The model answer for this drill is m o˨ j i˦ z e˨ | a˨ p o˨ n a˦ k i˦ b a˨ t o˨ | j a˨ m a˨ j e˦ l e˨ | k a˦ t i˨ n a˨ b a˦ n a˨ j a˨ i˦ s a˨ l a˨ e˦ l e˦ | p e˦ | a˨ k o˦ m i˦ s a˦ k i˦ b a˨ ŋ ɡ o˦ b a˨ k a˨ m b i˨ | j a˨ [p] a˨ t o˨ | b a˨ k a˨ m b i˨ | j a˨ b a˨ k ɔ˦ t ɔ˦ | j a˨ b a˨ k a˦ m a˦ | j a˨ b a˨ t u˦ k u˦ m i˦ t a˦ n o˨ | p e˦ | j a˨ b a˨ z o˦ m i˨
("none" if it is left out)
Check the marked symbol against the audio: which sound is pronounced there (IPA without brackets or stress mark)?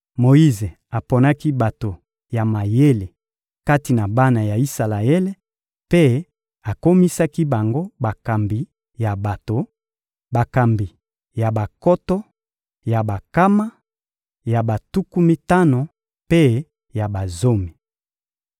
b